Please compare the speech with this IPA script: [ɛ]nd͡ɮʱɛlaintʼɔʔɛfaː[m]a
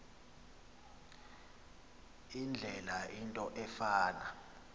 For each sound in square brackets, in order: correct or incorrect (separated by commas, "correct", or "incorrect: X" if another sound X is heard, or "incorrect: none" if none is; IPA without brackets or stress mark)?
incorrect: i, incorrect: n